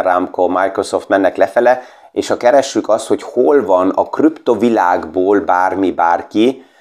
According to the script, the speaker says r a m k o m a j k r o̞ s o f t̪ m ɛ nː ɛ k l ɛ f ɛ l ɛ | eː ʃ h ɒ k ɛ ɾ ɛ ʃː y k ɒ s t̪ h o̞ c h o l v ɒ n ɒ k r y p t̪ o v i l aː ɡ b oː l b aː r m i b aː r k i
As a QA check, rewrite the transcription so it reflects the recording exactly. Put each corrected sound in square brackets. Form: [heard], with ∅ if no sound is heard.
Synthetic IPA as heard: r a m k o m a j k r o̞ s o f t̪ m ɛ nː ɛ k l ɛ f ɛ l ɛ | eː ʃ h ɒ k ɛ ɾ ɛ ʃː y k ɒ s t̪ h o̞ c h o l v ɒ n ɒ k r y p t̪ o v i l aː ɡ b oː l b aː r m i b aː r k i